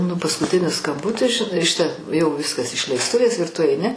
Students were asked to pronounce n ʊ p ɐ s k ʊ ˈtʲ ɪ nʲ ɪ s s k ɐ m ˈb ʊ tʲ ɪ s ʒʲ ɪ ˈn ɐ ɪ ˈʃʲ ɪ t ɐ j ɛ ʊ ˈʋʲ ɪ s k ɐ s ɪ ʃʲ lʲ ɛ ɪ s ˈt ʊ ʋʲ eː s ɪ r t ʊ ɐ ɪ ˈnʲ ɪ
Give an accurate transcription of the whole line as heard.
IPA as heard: n ʊ p ɐ s k ʊ ˈtʲ ɪ nʲ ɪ s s k ɐ m ˈb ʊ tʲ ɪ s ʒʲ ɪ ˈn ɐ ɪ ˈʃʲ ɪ t ɐ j ɛ ʊ ˈʋʲ ɪ s k ɐ s ɪ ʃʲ lʲ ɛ ɪ s ˈt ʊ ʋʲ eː s ɪ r t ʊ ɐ ɪ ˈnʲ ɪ